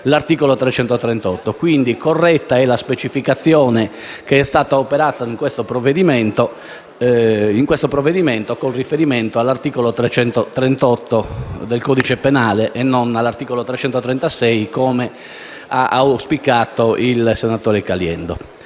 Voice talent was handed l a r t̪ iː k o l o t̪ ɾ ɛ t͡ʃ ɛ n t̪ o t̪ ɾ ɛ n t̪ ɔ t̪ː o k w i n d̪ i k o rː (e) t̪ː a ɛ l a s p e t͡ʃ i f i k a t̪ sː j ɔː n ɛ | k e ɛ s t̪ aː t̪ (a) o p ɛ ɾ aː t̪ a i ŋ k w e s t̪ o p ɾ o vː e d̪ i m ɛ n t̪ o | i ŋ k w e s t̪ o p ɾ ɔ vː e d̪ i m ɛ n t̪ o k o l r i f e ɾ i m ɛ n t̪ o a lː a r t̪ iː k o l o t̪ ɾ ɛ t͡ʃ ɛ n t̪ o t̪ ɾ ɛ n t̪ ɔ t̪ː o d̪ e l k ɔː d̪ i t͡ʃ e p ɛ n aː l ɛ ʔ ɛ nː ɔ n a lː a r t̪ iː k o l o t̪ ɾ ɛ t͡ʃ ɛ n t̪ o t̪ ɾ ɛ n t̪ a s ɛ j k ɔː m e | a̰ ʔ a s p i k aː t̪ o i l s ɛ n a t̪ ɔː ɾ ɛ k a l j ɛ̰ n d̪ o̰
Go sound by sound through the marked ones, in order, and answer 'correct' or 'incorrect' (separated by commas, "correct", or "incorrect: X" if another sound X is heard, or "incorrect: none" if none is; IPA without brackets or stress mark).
incorrect: ɛ, correct